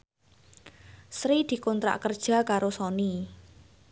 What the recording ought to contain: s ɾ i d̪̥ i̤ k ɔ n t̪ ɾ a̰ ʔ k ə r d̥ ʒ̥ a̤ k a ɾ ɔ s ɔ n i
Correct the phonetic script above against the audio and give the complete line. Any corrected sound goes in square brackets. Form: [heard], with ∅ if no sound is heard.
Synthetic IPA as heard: s ɾ i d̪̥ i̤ k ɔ n t̪ ɾ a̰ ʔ k ə r d̥ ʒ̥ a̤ k a ɾ [o] s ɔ n i